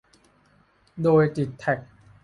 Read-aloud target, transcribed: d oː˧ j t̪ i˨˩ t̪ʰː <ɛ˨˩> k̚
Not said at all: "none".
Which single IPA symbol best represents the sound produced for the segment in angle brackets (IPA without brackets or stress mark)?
ɛ˨˩